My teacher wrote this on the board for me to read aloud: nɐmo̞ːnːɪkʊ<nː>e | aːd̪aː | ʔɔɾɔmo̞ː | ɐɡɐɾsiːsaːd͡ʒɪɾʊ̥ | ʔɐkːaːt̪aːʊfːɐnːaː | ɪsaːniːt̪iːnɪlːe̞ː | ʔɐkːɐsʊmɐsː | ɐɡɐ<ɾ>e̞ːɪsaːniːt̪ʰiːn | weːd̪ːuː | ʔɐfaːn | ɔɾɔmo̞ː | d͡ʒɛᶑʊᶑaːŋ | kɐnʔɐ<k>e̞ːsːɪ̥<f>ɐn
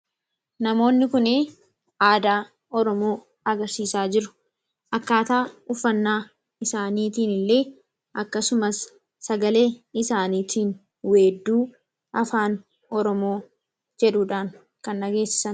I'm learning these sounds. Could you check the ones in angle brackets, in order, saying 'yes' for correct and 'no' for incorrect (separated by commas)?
no, no, no, no